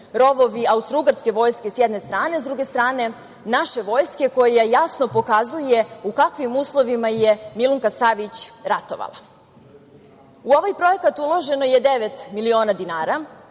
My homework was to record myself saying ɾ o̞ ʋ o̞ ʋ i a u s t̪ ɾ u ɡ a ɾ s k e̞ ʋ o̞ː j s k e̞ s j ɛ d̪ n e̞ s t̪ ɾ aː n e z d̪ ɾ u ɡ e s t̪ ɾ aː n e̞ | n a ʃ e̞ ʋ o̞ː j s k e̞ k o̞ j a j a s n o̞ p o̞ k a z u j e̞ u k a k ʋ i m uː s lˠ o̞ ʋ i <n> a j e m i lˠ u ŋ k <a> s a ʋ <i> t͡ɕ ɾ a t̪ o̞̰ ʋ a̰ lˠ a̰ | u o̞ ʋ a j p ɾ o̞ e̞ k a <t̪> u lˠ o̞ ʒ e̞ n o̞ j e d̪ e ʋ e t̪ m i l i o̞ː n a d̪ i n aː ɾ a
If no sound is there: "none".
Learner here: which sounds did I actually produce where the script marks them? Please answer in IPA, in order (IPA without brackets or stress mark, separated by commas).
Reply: m, a, i, t̪